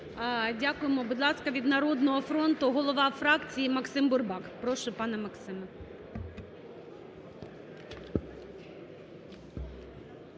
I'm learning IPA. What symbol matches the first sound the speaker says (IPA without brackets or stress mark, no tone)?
dʲ